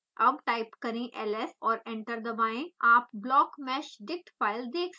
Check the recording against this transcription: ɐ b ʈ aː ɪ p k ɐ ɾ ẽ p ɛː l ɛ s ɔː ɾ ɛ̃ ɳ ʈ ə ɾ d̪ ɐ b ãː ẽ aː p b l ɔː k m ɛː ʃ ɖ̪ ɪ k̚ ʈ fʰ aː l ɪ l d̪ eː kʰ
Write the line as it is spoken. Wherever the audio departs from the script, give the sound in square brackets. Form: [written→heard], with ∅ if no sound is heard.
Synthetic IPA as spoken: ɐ b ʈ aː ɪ p k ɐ ɾ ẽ [p→ʔ] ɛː l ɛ s ɔː ɾ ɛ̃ ɳ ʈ ə ɾ d̪ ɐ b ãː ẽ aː p b l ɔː k m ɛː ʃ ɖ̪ ɪ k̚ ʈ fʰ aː [l→∅] ɪ l d̪ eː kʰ